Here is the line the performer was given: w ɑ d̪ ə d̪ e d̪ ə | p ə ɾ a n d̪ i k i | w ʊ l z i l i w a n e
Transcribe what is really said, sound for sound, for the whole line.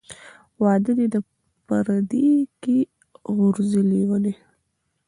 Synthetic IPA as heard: w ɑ d̪ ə d̪ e d̪ ə | p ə ɾ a d̪ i k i | ɣ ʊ ɾ z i l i w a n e